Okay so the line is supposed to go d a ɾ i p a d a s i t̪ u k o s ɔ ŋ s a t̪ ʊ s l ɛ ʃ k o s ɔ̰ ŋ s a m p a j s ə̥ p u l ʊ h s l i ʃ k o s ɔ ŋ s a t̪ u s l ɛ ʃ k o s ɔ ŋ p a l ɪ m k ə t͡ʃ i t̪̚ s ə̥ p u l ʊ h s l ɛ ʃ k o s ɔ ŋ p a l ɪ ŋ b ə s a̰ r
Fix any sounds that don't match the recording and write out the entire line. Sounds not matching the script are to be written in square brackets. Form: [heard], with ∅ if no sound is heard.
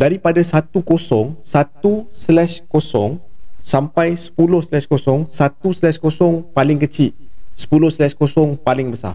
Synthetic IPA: d a ɾ i p a d a s [a] t̪ u k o s ɔ ŋ s a t̪ [u] s l ɛ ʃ k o s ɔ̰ ŋ s a m p a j s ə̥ p u l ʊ h s l [ɛ] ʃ k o s ɔ ŋ s a t̪ u s l ɛ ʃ k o s ɔ ŋ p a l ɪ [ŋ] k ə t͡ʃ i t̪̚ s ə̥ p u l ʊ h s l ɛ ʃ k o s ɔ ŋ p a l ɪ ŋ b ə s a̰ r